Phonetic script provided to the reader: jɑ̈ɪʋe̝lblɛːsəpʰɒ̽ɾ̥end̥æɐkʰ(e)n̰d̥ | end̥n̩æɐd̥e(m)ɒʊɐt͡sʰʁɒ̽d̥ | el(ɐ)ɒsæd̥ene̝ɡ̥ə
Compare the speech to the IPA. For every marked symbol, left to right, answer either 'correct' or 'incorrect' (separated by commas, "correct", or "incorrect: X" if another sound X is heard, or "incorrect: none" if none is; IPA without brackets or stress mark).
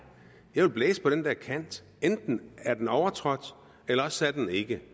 incorrect: æ, incorrect: n, correct